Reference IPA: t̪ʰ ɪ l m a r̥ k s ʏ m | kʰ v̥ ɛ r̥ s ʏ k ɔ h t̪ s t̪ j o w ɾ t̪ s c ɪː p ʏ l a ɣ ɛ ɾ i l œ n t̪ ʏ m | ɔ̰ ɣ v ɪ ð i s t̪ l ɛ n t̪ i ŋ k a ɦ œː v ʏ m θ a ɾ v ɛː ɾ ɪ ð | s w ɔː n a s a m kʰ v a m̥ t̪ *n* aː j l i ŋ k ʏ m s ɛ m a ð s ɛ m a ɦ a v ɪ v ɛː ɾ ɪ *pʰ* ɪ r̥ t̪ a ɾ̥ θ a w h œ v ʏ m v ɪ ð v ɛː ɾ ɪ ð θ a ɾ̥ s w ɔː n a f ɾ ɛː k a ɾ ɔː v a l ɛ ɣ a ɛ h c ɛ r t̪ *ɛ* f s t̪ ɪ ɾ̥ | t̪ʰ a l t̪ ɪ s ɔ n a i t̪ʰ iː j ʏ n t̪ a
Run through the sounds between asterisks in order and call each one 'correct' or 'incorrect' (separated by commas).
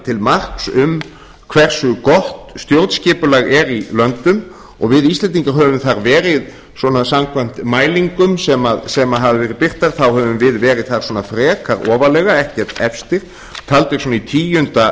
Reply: incorrect, incorrect, correct